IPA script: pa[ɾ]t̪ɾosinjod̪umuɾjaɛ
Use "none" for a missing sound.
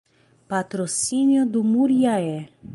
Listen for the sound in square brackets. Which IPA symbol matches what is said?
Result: none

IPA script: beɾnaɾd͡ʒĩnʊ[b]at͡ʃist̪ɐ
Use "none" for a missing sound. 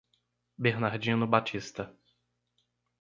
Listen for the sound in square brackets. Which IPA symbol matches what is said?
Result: b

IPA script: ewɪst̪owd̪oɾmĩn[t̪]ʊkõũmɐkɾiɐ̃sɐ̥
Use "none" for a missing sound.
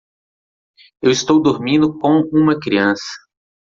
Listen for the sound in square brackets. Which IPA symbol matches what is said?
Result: d̪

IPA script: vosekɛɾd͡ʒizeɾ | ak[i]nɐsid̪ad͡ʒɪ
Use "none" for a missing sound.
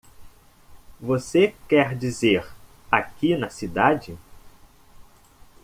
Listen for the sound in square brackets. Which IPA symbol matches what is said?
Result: i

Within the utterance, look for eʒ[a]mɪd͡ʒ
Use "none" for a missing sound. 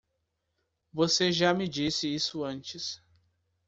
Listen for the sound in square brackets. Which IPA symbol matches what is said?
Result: a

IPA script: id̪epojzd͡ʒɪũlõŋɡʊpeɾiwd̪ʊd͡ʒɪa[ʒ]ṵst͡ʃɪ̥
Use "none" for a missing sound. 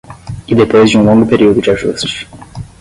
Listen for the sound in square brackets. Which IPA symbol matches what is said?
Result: ʒ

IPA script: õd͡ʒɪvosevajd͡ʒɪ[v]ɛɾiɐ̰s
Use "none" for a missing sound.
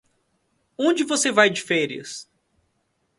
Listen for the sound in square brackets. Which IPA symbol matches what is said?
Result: f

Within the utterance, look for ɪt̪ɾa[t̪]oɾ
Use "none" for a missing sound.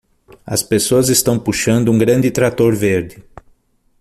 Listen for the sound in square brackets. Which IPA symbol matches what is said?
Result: t̪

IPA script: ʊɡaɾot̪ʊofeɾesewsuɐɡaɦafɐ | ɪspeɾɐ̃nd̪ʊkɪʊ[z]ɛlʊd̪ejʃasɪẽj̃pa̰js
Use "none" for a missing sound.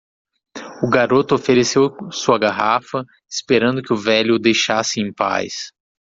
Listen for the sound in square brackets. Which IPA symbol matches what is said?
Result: v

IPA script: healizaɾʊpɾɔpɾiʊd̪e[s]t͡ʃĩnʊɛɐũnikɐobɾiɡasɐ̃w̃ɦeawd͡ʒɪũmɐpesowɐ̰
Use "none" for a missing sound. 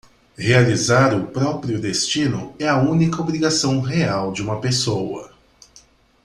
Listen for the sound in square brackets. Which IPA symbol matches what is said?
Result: s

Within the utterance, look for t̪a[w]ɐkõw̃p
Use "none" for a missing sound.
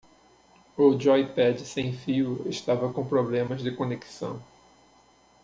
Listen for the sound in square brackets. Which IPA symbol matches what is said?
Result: v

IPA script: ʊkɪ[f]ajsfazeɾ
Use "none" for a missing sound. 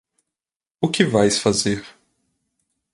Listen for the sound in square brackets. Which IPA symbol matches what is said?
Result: v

